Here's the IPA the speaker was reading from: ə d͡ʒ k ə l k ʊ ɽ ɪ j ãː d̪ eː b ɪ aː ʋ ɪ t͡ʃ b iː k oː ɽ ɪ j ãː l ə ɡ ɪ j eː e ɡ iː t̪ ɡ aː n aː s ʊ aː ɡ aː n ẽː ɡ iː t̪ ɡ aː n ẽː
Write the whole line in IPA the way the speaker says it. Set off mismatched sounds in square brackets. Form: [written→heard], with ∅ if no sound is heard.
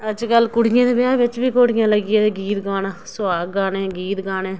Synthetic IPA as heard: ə d͡ʒ k ə l k ʊ ɽ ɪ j ãː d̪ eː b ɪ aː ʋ ɪ t͡ʃ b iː k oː ɽ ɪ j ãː l ə ɡ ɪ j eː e ɡ iː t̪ ɡ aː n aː s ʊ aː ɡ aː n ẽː ɡ iː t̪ ɡ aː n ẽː